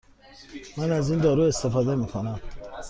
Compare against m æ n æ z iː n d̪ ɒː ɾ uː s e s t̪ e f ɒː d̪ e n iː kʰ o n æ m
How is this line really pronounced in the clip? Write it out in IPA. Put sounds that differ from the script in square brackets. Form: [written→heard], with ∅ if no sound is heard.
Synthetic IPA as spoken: m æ n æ z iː n d̪ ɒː ɾ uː [s→∅] e s t̪ e f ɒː d̪ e [n→m] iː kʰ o n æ m